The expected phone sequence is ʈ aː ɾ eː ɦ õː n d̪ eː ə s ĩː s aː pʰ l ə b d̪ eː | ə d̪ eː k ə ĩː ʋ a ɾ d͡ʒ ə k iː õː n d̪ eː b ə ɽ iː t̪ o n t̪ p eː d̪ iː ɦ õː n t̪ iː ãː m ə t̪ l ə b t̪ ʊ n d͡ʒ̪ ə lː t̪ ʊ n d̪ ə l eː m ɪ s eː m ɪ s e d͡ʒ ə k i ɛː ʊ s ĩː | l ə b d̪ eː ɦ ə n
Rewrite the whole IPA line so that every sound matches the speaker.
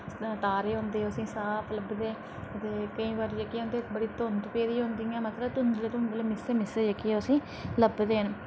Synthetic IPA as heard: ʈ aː ɾ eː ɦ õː n d̪ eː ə s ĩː s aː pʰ l ə b d̪ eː | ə t̪ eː k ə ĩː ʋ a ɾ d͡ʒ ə k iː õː n d̪ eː b ə ɽ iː t̪ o n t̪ p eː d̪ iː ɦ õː n d̪ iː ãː m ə t̪ l ə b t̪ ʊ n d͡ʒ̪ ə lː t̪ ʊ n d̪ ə l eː m ɪ s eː m ɪ s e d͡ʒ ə k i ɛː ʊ s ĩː | l ə b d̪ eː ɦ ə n